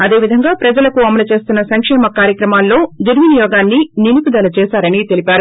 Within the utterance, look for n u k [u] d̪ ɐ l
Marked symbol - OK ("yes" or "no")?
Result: yes